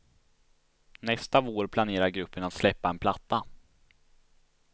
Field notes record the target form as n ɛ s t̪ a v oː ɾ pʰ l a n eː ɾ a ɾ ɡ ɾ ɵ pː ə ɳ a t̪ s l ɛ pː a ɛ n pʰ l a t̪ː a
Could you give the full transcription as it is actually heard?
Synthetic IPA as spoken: n ɛ s t̪ a v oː ɾ pʰ l a n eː ɾ a ɾ ɡ ɾ ɵ pː ə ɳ a t̪ s l ɛ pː a ɛ n pʰ l a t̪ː a

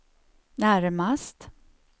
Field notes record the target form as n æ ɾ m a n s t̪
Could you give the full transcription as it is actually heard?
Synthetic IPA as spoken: n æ ɾ m a s t̪

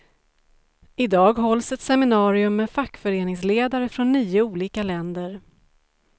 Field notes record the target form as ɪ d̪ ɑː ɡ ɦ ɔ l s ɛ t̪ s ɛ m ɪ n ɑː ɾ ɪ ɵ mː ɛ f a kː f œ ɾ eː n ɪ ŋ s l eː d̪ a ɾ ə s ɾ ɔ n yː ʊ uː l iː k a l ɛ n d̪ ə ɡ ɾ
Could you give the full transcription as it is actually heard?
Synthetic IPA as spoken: ɪ d̪ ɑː ɡ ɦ ɔ l s ɛ t̪ s ɛ m ɪ n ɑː ɾ ɪ ɵ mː ɛ f a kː f œ ɾ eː n ɪ ŋ s l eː d̪ a ɾ ə f ɾ ɔ nː yː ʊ uː l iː k a l ɛ n d̪ ə ɾ

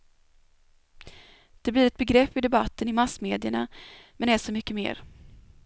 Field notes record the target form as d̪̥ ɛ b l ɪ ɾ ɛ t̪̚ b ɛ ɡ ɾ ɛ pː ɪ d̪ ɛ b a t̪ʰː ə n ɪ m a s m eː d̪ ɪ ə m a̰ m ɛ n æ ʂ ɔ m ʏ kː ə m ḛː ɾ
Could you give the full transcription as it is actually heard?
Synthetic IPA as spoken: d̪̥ ɛ b l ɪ ɾ ɛ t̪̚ b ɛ ɡ ɾ ɛ pː ɪ d̪ ɛ b a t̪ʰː ə n ɪ m a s m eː d̪ ɪ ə ɳ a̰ m ɛ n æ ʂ ɔ m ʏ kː ə m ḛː ɾ

